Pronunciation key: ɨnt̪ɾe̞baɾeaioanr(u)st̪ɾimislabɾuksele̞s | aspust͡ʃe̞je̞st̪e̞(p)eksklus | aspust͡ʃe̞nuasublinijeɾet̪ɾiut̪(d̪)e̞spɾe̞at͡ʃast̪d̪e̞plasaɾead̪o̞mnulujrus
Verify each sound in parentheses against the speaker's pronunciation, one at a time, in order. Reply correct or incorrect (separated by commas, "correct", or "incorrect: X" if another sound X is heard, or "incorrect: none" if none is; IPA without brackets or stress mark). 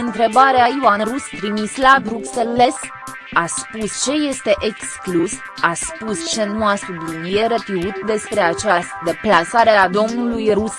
correct, incorrect: ʔ, correct